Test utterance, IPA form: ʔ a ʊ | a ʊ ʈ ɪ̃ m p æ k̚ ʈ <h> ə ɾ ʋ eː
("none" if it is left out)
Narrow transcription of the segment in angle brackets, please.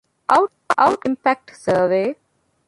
s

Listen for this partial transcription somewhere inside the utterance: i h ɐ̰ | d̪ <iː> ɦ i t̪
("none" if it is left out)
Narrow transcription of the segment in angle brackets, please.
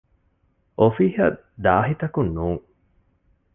aː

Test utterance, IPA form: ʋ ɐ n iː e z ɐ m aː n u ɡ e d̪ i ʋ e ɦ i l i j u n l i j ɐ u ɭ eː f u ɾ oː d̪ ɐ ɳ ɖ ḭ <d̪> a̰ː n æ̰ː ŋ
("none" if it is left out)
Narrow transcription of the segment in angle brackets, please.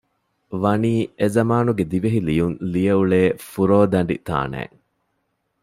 t̪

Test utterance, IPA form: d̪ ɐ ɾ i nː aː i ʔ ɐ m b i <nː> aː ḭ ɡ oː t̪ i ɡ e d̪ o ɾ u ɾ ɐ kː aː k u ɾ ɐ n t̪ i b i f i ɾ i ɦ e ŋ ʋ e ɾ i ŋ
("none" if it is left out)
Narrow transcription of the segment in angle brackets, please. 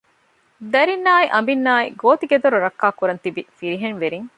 nː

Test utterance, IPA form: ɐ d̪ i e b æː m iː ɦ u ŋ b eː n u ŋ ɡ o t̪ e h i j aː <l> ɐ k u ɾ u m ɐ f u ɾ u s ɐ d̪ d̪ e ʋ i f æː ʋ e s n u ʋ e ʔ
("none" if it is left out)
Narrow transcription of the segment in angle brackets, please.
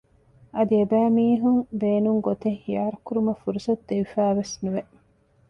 ɾ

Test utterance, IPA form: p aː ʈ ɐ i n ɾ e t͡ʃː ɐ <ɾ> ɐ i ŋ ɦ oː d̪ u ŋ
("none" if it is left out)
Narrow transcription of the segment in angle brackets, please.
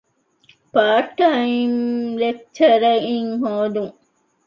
ɾ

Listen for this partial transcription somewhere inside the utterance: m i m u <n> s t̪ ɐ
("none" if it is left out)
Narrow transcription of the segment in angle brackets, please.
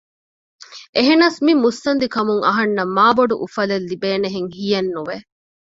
none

